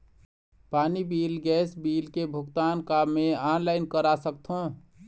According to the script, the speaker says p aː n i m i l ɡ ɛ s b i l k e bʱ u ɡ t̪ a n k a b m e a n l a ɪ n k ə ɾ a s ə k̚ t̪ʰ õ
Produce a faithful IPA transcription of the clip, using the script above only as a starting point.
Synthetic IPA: p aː n i b i l ɡ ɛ s b i l k e bʱ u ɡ t̪ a n k a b m e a n l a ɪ n k ə ɾ a s ə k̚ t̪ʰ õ